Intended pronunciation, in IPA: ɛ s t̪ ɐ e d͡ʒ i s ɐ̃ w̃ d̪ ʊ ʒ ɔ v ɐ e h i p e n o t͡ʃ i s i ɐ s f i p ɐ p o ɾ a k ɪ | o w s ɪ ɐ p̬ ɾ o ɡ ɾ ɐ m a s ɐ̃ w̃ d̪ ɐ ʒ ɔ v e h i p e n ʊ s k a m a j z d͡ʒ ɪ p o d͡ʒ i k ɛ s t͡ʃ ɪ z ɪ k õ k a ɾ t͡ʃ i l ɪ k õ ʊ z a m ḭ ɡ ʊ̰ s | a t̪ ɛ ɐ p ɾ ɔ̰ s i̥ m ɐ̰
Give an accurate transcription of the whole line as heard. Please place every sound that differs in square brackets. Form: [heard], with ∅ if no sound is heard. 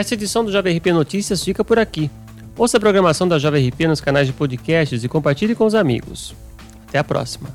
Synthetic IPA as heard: ɛ s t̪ ɐ e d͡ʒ i s ɐ̃ w̃ d̪ ʊ ʒ ɔ v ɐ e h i p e n o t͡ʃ i s i ɐ s f i [k] ɐ p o ɾ a k [i] | o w s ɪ ɐ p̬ ɾ o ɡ ɾ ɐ m a s ɐ̃ w̃ d̪ ɐ ʒ ɔ v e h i p e n ʊ s k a [n] a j z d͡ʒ ɪ p o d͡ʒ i k ɛ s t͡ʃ ɪ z ɪ k õ [p] a ɾ t͡ʃ i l ɪ k õ ʊ z a m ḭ ɡ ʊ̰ s | a t̪ ɛ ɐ p ɾ ɔ̰ s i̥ m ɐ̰